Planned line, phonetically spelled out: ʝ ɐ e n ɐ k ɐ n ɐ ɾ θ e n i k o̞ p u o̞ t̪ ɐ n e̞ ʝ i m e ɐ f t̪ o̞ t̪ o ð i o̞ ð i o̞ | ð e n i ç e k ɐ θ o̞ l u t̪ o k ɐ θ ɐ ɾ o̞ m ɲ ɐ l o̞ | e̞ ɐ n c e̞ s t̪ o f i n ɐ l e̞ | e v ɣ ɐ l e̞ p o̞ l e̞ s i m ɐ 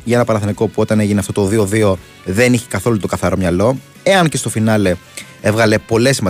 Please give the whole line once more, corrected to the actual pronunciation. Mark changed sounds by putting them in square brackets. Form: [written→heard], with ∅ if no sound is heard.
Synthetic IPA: ʝ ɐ e n ɐ [k→p] ɐ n ɐ [ɾ→∅] θ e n i k o̞ p u o̞ t̪ ɐ n e̞ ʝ i [m→n] e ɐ f t̪ o̞ t̪ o ð i o̞ ð i o̞ | ð e n i ç e k ɐ θ o̞ l u t̪ o k ɐ θ ɐ ɾ o̞ m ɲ ɐ l o̞ | e̞ ɐ n c e̞ s t̪ o f i n ɐ l e̞ | e v ɣ ɐ l e̞ p o̞ l e̞ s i m ɐ